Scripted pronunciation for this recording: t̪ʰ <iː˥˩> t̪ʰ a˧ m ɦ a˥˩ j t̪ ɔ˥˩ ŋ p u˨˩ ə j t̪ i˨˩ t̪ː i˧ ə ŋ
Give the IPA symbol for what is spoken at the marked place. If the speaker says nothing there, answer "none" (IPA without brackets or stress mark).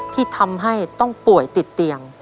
iː˥˩